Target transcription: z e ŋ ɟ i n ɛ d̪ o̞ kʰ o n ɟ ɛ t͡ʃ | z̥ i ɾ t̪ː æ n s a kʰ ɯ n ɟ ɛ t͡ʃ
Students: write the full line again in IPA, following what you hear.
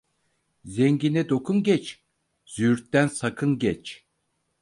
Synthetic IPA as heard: z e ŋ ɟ i n ɛ d̪ o̞ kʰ u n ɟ ɛ t͡ʃ | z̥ y ɾ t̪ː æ n s a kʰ ɯ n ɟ ɛ t͡ʃ